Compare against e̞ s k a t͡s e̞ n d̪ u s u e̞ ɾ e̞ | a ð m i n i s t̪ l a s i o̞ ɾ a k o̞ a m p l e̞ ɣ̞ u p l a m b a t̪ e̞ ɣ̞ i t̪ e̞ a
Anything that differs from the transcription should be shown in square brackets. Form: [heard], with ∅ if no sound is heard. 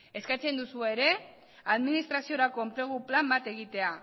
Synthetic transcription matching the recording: e̞ s k a t͡s e̞ n d̪ u s u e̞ ɾ e̞ | a ð m i n i s t̪ [ɾ] a s i o̞ ɾ a k o̞ [e] m p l e̞ ɣ̞ u p l a m b a t̪ e̞ ɣ̞ i t̪ e̞ a